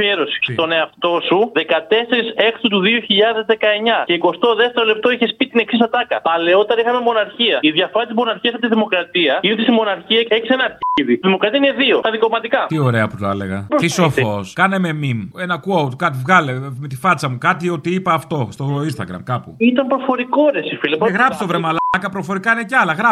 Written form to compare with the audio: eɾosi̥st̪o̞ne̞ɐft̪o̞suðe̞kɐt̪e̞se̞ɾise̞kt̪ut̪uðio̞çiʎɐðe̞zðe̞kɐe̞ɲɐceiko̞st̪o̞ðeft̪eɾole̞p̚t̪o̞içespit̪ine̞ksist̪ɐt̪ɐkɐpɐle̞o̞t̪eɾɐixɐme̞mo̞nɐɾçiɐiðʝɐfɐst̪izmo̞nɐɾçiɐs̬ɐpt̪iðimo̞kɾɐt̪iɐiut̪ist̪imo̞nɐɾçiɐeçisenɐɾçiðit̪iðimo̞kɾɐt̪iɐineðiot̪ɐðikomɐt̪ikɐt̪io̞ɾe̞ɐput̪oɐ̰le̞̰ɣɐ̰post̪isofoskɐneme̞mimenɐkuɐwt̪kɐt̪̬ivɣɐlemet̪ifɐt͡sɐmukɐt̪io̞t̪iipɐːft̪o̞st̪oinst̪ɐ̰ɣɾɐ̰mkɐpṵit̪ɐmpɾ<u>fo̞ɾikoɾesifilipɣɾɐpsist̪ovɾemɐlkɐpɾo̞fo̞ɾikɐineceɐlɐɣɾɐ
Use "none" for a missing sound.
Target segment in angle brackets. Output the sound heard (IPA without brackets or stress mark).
o